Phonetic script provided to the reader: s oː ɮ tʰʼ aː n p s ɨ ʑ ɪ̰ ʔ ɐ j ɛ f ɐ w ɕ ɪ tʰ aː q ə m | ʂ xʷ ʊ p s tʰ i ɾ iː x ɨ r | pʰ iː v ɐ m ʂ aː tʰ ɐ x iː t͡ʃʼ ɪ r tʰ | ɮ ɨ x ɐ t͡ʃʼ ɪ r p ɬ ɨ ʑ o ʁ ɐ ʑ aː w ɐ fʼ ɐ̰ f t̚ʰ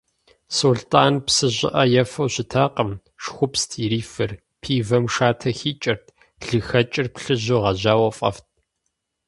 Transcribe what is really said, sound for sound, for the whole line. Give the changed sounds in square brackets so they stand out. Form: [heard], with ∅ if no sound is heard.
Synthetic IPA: s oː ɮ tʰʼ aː n p s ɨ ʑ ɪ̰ ʔ ɐ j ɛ f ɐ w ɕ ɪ tʰ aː q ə m | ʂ xʷ ʊ p s tʰ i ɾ iː [f] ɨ r | pʰ iː v ɐ m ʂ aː tʰ ɐ x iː t͡ʃʼ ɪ r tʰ | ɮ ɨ x ɐ t͡ʃʼ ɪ r p ɬ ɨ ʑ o ʁ ɐ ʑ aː w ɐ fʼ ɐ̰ f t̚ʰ